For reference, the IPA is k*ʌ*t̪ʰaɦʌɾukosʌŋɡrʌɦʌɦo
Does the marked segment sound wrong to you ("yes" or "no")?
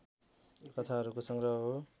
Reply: no